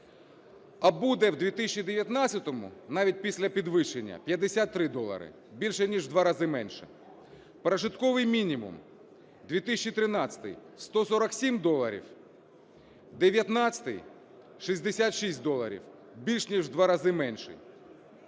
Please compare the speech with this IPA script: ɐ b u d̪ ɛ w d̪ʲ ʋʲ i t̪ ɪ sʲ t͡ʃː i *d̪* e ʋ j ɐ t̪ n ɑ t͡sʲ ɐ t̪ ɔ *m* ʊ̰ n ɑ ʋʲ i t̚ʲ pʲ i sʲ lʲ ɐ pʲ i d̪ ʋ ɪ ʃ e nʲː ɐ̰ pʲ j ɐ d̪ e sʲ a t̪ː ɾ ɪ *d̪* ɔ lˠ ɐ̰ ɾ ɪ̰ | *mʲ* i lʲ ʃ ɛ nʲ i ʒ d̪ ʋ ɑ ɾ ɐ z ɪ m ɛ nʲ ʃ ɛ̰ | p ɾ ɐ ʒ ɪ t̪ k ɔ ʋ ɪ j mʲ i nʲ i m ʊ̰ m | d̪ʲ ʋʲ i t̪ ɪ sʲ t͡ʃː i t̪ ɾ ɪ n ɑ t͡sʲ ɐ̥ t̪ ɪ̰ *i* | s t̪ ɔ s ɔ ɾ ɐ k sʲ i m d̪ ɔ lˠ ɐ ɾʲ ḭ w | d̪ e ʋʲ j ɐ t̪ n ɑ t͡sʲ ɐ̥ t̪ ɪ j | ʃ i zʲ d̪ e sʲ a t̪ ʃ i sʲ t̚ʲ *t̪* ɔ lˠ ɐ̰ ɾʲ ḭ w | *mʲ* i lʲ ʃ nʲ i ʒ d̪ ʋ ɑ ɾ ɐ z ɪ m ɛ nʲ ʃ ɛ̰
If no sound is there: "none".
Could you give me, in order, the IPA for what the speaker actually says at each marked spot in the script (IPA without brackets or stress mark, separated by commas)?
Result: d̪, m, d̪, bʲ, j, d̪, bʲ